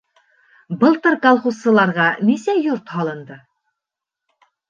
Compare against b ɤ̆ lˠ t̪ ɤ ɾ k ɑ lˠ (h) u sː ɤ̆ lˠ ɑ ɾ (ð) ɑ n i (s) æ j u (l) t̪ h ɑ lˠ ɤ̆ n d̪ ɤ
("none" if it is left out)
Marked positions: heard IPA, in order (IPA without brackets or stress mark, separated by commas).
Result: χ, ʁ, s, ɾ